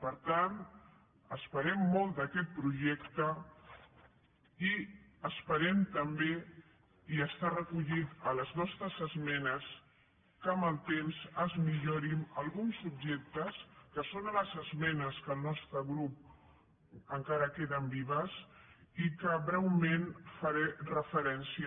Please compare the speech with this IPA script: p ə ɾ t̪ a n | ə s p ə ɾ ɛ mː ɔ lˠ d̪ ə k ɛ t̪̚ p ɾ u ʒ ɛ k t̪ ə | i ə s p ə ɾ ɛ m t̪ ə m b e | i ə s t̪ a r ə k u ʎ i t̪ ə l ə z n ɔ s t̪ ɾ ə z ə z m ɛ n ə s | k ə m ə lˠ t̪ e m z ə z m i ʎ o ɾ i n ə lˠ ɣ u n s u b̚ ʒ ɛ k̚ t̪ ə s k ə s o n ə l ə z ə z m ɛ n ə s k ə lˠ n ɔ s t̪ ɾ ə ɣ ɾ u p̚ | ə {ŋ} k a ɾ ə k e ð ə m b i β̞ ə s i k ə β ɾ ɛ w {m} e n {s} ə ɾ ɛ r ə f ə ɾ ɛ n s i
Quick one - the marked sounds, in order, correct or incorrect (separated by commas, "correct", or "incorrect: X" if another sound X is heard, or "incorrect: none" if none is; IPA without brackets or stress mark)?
correct, correct, incorrect: f